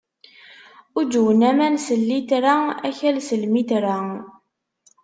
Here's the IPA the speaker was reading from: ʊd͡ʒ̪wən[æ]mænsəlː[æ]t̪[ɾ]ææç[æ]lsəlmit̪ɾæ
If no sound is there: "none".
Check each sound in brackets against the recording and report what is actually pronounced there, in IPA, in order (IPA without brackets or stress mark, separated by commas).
æ, i, ɾ, æ